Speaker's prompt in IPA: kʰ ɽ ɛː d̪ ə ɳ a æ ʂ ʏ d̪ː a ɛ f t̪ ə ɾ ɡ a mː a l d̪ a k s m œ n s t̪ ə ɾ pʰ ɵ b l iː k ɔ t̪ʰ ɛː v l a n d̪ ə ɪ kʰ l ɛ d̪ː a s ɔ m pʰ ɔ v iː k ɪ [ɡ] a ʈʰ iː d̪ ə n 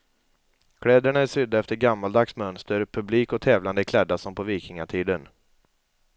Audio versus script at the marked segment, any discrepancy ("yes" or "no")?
yes